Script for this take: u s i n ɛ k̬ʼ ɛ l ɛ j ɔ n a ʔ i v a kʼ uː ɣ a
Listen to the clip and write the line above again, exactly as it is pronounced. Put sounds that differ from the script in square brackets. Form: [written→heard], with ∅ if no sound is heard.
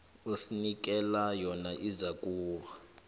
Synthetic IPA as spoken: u s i n [ɛ→i] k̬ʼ ɛ l [ɛ→a] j ɔ n a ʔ i [v→z] a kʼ uː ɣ a